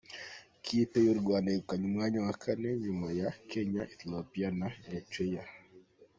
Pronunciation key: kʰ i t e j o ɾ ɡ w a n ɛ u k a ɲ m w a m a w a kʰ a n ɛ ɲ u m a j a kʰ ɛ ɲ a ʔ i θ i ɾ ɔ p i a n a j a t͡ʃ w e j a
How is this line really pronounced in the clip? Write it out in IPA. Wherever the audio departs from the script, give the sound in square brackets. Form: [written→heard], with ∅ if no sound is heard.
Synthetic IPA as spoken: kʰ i t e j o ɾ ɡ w a n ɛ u k a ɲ m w a [m→ɲ] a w a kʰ a n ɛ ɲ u m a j a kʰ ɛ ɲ a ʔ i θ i [ɾ→l] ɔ p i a n a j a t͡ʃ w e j a